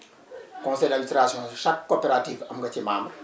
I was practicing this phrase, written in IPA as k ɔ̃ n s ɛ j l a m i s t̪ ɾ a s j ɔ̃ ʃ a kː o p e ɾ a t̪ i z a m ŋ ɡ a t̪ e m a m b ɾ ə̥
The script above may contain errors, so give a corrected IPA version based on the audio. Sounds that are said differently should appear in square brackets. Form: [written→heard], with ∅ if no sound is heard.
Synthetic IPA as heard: k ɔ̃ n s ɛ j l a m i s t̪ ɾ a s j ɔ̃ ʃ a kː o p e ɾ a t̪ i [z→v] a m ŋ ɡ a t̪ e m a m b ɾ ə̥